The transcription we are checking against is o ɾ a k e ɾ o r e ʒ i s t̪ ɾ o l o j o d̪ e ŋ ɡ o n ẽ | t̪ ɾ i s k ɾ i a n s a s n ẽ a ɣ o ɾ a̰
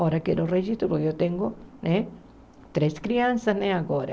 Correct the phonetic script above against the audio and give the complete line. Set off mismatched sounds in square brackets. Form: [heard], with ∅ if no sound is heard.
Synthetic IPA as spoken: o ɾ a k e ɾ o r e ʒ i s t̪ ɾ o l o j o [t̪] e ŋ ɡ o n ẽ | t̪ ɾ [e] s k ɾ i a n s a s n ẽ a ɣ o ɾ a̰